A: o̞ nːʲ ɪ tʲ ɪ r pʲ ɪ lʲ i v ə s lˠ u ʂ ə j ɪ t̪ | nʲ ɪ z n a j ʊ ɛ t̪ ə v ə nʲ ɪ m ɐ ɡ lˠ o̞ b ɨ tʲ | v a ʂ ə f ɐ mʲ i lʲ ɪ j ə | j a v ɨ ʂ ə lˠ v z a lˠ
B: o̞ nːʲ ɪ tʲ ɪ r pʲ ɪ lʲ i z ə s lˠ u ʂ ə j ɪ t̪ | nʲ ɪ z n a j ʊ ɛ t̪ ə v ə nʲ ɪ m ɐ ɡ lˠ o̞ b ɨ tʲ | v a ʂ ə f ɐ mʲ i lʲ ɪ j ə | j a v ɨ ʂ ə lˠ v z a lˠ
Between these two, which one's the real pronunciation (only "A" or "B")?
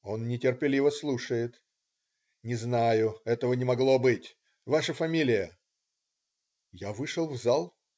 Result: A